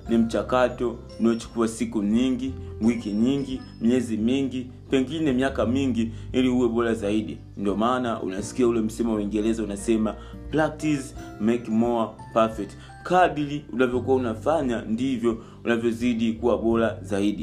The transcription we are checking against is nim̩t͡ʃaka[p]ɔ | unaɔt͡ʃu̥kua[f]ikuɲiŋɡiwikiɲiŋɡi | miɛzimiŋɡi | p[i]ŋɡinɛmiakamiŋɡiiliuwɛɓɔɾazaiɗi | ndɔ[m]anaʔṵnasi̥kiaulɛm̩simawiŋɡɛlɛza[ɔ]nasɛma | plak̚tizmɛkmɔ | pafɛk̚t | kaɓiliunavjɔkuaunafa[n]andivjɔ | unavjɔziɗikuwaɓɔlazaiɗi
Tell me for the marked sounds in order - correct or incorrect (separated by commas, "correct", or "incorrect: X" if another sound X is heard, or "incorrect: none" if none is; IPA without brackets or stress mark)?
incorrect: t, incorrect: s, incorrect: ɛ, correct, incorrect: u, incorrect: ɲ